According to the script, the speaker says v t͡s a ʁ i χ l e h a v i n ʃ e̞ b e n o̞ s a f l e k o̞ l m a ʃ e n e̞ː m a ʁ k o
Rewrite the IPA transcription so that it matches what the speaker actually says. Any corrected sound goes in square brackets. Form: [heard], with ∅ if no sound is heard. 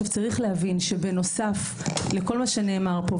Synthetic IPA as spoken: v t͡s a ʁ i χ l e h a v i n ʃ e̞ b e n o̞ s a f l e k o̞ l m a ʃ e n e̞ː m a ʁ [p] o